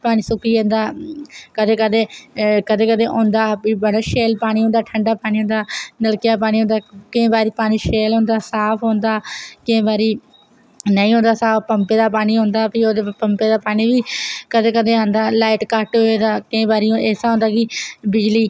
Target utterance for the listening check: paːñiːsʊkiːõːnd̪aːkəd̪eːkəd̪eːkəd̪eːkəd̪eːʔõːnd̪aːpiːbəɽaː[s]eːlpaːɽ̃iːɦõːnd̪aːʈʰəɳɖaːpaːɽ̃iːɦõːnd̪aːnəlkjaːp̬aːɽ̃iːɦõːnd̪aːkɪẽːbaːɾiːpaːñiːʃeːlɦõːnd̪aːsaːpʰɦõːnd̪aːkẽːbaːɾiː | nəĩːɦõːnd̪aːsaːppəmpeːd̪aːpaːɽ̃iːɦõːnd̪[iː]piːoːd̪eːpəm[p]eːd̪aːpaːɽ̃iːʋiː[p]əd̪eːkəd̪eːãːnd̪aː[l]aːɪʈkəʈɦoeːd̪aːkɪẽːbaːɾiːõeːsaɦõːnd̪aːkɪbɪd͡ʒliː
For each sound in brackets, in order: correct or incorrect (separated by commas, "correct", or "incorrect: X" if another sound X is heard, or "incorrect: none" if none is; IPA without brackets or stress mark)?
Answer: incorrect: ʃ, incorrect: aː, correct, incorrect: k, correct